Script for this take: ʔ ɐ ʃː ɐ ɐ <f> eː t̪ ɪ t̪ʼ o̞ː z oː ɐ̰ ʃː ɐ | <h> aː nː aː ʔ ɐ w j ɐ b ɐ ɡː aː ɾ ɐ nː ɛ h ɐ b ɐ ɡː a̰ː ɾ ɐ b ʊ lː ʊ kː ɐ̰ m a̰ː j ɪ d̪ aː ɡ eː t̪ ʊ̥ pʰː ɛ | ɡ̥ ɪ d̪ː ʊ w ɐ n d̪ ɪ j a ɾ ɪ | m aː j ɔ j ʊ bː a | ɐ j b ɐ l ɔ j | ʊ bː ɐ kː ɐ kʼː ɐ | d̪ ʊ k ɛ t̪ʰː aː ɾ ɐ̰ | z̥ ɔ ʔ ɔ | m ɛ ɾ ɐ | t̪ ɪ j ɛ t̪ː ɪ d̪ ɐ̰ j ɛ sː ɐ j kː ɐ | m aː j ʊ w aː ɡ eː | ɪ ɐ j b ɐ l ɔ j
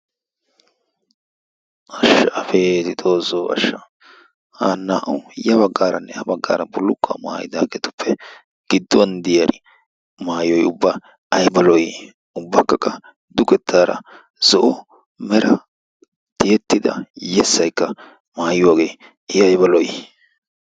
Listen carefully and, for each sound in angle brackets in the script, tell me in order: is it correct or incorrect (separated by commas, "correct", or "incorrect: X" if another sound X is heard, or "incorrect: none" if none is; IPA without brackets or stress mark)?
correct, correct